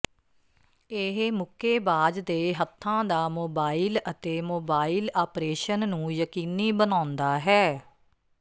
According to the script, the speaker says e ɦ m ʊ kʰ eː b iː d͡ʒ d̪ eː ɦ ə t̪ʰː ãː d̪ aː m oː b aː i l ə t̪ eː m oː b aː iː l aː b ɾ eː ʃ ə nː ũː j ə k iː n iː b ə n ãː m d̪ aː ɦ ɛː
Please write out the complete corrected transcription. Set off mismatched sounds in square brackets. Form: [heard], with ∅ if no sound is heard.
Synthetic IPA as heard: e ɦ m ʊ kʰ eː b [aː] d͡ʒ d̪ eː ɦ ə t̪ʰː ãː d̪ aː m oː b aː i l ə t̪ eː m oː b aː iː l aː [p] ɾ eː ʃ ə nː ũː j ə k iː n iː b ə n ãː [n] d̪ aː ɦ ɛː